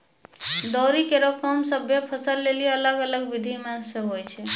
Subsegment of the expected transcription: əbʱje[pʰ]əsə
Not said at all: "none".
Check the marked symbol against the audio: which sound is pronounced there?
pʰ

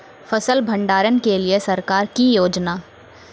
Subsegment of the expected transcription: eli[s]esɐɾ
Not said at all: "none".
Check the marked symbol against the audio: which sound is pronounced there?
none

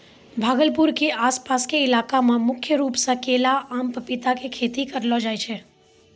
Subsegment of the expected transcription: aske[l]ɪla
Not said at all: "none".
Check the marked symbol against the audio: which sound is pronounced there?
none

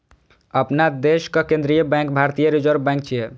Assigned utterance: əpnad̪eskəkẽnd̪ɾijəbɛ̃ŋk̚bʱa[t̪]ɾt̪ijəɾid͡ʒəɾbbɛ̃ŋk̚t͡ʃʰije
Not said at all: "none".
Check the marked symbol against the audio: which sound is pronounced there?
none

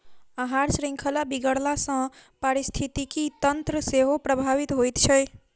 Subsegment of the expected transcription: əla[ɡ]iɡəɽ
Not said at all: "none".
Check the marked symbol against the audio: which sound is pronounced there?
b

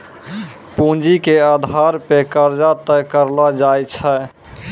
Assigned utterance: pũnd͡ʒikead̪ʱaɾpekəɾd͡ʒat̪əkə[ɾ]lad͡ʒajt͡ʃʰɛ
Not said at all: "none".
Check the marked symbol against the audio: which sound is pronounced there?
ɾ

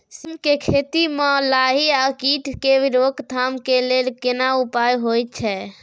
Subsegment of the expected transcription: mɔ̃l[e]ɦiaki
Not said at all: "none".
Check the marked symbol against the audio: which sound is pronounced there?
a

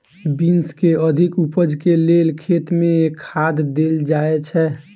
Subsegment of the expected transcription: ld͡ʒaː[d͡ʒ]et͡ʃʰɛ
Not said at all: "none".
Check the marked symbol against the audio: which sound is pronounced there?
none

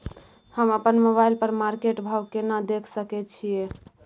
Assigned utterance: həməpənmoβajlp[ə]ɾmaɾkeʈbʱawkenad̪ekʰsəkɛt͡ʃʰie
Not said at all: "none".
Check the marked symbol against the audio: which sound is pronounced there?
ə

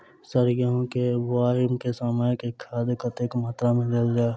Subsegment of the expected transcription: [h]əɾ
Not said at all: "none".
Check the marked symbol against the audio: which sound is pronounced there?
s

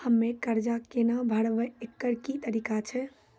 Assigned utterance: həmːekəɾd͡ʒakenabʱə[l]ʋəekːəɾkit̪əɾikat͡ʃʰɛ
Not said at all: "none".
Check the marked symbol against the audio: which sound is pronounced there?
ɽ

